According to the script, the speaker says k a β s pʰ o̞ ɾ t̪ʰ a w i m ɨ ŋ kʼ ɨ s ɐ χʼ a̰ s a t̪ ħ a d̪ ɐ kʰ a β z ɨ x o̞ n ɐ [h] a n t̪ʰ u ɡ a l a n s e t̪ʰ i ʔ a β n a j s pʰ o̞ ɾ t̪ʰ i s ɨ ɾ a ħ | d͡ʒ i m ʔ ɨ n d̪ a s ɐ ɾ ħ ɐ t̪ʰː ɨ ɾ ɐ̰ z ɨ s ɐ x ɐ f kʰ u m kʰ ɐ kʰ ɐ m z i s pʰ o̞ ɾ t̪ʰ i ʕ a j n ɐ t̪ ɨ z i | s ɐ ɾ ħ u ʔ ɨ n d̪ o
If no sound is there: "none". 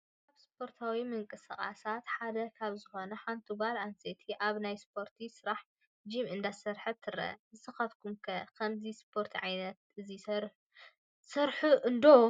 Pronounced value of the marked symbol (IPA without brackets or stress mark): ħ